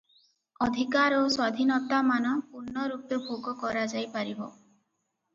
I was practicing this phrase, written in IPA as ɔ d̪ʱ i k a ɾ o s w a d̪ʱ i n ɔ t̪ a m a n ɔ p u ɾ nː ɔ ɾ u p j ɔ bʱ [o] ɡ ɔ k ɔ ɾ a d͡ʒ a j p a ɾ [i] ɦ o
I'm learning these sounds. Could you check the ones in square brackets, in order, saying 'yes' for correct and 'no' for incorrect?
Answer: yes, yes

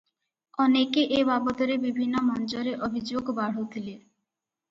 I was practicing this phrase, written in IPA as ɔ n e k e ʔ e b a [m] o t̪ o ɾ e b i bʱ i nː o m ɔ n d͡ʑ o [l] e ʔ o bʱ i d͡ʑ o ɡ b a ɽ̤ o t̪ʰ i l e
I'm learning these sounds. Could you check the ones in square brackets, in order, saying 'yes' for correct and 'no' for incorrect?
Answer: no, no

